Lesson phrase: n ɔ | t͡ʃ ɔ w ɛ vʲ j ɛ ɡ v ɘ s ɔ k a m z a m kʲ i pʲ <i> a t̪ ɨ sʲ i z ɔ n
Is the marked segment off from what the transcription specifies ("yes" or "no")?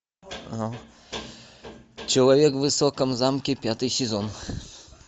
yes